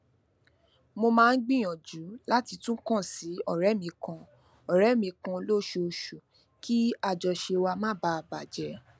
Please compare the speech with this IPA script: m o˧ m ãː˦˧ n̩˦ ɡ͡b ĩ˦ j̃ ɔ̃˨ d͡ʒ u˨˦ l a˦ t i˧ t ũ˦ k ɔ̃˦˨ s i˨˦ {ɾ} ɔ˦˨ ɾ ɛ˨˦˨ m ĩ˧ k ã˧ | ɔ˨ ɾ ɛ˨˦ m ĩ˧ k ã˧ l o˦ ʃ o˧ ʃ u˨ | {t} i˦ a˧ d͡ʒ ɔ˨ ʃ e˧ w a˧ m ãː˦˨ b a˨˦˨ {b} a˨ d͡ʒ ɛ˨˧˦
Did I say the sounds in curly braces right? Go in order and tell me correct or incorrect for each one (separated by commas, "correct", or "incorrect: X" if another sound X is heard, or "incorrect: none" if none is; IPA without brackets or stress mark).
incorrect: none, incorrect: k, correct